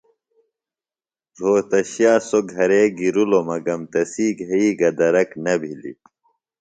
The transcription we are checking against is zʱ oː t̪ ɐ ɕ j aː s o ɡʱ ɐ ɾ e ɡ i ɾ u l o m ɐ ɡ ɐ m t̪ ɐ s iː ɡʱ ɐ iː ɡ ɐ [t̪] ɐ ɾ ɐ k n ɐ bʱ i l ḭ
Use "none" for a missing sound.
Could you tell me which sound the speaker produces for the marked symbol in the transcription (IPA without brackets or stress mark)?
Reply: d̪